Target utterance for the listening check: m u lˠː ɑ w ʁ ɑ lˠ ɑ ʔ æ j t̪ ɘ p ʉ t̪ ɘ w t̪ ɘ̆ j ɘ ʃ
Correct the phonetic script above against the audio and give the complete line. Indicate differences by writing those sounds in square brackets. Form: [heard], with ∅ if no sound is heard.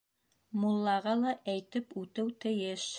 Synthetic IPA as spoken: m u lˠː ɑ [∅] ʁ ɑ lˠ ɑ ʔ æ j t̪ ɘ p ʉ t̪ ɘ w t̪ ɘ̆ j ɘ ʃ